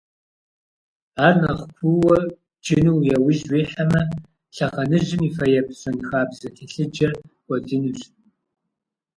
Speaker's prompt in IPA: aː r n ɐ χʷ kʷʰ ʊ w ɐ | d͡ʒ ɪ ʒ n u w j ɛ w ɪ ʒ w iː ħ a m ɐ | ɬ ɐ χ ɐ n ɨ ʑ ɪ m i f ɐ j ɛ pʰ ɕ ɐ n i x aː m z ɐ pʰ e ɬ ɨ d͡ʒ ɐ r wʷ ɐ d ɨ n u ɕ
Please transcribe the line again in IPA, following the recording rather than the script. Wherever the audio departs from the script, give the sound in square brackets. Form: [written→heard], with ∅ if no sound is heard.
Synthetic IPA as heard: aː r n ɐ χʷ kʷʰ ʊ w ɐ | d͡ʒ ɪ [ʒ→∅] n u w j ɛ w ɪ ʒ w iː ħ a m ɐ | ɬ ɐ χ ɐ n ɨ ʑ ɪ m i f ɐ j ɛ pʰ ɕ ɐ n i x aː [m→b] z ɐ [pʰ→tʰ] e ɬ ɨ d͡ʒ ɐ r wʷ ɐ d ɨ n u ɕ